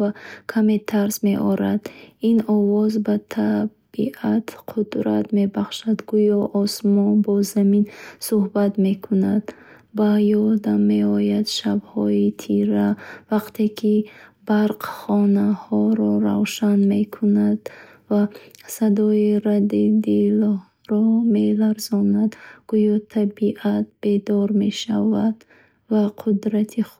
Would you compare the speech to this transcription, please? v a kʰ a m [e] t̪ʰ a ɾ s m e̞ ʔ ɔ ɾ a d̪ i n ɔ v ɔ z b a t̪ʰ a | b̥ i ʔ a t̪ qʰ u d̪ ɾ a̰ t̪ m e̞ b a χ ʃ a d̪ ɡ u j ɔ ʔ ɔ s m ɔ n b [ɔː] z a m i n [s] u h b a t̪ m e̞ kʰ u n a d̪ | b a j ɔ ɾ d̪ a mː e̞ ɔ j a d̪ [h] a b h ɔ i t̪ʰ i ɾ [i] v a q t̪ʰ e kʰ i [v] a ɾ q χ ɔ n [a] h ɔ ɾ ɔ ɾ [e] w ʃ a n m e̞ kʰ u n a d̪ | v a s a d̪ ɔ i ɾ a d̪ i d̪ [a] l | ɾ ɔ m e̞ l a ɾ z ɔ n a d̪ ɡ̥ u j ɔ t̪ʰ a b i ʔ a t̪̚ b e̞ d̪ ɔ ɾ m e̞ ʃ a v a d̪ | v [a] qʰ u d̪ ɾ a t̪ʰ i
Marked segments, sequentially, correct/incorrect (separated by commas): correct, incorrect, correct, incorrect, incorrect, incorrect, correct, incorrect, incorrect, correct